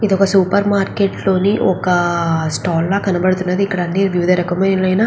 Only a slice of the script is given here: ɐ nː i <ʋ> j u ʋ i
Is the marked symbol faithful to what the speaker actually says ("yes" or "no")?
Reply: yes